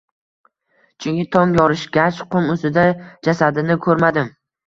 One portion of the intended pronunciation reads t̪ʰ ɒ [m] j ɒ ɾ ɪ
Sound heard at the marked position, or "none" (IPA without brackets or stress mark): ŋ